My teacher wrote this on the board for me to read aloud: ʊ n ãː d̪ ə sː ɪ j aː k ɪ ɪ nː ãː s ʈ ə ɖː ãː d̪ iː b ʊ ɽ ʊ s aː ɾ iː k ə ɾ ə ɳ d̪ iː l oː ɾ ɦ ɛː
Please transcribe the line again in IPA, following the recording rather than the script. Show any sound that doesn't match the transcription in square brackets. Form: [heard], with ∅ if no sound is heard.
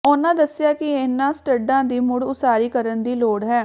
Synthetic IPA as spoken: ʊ n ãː d̪ ə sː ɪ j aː k ɪ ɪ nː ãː s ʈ ə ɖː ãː d̪ iː [m] ʊ ɽ ʊ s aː ɾ iː k ə ɾ ə [n] d̪ iː l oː [ɽ] ɦ ɛː